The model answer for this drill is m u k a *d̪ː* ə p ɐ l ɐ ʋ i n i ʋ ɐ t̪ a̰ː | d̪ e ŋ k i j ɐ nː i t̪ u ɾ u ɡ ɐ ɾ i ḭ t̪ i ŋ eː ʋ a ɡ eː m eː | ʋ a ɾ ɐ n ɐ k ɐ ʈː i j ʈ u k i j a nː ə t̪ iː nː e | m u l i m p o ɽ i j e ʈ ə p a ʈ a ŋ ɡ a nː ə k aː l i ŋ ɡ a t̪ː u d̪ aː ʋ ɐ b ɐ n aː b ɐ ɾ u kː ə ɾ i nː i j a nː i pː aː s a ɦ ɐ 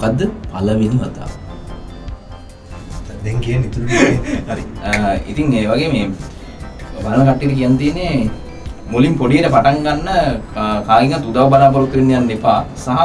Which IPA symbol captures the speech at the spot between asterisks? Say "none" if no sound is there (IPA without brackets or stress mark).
d̪ː